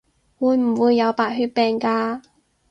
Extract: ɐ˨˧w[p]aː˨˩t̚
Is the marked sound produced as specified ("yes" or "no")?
yes